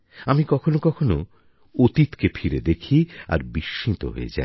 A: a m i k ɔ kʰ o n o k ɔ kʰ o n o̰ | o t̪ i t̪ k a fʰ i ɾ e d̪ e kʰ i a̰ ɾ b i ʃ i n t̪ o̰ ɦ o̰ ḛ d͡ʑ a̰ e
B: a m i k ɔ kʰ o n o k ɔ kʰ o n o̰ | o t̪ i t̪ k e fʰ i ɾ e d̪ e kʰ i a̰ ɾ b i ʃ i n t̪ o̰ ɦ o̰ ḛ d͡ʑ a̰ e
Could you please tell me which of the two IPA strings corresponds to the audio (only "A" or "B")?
B